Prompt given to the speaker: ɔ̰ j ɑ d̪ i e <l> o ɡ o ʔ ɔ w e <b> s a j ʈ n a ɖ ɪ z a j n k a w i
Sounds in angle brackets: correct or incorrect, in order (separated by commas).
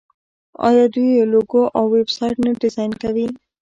correct, correct